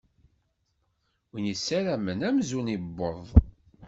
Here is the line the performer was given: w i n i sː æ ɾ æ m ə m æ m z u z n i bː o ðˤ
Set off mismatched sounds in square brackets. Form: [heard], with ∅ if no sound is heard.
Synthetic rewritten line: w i n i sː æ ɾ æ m ə [n] æ m z u [∅] n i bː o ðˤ